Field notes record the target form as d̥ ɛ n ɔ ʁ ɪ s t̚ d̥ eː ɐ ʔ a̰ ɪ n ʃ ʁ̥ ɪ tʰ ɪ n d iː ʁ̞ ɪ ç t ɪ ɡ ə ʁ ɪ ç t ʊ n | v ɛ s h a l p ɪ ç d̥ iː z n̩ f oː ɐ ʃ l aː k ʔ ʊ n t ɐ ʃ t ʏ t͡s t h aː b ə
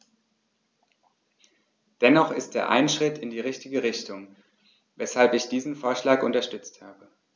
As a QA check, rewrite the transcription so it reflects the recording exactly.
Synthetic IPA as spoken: d̥ ɛ n ɔ χ ɪ s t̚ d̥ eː ɐ ʔ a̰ ɪ n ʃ ʁ̥ ɪ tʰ ɪ n d iː ʁ̞ ɪ ç t ɪ ɡ ə ʁ ɪ ç t ʊ ŋ | v ɛ s h a l p ɪ ç d̥ iː z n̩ f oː ɐ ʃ l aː k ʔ ʊ n t ɐ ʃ t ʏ t͡s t h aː b ə